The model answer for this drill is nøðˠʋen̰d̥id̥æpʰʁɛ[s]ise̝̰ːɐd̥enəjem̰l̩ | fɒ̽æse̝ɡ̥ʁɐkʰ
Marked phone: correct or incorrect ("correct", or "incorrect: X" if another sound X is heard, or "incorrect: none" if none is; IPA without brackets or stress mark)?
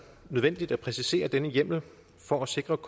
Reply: correct